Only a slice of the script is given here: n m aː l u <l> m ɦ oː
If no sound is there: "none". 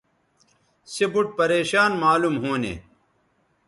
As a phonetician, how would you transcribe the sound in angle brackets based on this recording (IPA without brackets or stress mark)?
none